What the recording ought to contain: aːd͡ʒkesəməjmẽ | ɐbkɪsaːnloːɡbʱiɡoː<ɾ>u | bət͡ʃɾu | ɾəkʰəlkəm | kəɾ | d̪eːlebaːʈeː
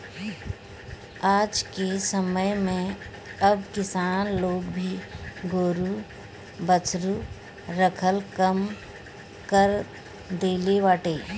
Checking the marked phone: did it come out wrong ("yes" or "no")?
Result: no